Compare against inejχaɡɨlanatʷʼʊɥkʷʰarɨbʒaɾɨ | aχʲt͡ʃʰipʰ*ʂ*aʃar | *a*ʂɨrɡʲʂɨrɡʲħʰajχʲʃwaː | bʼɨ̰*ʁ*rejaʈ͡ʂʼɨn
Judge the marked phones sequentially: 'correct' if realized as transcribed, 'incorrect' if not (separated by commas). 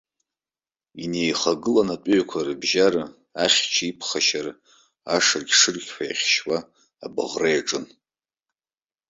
incorrect, correct, correct